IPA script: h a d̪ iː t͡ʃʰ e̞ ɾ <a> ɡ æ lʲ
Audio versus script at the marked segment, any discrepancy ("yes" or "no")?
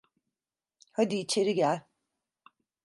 yes